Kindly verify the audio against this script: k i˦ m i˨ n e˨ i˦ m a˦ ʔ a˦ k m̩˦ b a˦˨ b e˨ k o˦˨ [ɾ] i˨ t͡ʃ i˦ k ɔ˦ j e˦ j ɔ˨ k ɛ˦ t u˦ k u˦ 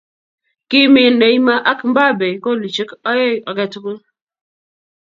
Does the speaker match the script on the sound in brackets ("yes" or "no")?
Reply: no